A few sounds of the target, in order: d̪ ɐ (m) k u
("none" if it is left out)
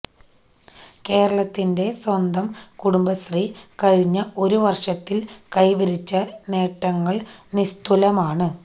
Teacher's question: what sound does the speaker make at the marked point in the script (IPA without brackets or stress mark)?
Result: m